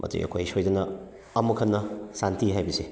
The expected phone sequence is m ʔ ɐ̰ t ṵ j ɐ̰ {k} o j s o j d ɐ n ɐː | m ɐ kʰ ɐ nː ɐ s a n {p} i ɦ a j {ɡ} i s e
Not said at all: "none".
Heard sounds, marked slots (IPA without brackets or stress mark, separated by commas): kʰ, t, b